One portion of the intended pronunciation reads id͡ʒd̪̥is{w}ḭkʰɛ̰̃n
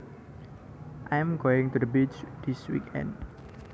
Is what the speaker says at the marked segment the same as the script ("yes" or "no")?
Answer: yes